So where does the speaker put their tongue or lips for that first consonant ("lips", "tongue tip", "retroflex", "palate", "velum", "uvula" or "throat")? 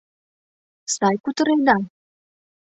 tongue tip